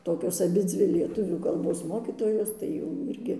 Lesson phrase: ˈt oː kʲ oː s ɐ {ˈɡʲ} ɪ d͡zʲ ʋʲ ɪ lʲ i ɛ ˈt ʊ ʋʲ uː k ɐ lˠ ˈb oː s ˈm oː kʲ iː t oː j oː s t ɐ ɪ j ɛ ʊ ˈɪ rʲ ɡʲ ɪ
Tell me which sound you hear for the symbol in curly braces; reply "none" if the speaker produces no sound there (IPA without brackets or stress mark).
bʲ